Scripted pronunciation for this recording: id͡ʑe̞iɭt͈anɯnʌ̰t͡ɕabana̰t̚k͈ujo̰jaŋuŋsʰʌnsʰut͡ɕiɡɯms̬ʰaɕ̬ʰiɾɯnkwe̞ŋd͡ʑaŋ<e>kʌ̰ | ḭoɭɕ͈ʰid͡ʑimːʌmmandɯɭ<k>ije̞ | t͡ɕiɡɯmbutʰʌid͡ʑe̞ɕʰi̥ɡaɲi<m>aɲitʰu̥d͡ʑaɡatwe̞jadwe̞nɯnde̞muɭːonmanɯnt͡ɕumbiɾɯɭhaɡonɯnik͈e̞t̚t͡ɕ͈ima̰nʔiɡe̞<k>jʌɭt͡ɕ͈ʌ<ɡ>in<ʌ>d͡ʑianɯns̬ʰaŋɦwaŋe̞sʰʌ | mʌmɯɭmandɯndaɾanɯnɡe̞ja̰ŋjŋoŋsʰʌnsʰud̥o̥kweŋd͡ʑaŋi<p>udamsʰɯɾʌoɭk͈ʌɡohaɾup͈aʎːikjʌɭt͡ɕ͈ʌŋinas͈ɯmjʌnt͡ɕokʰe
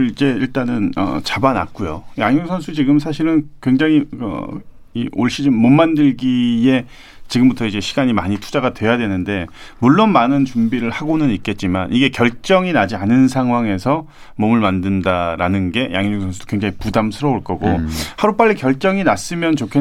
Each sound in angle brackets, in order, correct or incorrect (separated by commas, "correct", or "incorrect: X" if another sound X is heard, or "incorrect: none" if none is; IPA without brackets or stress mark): incorrect: i, incorrect: ɡ, correct, correct, incorrect: ŋ, incorrect: a, correct